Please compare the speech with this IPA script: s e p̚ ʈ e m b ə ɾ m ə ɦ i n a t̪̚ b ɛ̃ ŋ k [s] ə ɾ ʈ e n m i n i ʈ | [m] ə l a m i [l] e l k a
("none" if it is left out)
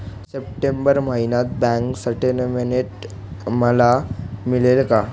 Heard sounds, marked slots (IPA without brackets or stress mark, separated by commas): s, m, l